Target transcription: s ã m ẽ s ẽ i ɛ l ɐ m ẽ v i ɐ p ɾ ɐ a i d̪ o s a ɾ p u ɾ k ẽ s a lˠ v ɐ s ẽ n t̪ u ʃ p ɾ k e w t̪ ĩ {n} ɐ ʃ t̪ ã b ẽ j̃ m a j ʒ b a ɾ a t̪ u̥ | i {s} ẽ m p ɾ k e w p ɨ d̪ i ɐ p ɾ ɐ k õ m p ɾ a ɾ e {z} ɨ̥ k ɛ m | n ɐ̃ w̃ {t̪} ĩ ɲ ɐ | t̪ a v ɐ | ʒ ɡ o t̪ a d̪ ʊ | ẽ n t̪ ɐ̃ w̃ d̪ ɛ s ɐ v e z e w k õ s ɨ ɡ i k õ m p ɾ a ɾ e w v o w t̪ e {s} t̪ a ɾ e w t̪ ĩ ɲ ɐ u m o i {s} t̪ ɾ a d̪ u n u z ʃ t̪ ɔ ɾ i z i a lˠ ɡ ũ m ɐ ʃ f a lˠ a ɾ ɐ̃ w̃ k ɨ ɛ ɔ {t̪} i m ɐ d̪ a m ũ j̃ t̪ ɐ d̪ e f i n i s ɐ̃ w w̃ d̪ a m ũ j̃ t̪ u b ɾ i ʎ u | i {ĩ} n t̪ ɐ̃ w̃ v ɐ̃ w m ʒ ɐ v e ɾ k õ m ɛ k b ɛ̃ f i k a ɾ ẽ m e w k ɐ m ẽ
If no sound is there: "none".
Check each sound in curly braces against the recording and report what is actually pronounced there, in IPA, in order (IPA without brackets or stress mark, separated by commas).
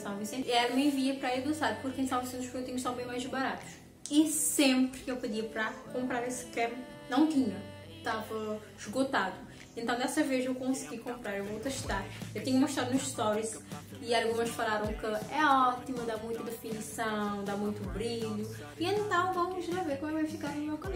ɲ, s, s, t̪, ʃ, ʃ, t̪, ẽ